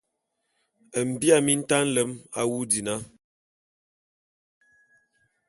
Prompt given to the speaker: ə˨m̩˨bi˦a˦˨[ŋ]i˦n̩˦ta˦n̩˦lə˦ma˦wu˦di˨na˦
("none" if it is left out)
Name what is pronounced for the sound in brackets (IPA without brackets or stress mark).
m